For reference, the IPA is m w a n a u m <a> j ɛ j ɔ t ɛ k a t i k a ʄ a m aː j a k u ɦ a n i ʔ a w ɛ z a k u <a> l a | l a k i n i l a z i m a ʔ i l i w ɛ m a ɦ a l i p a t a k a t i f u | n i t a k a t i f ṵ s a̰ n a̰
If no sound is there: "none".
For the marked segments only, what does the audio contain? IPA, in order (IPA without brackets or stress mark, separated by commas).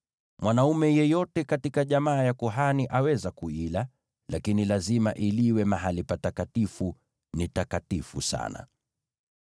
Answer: ɛ, i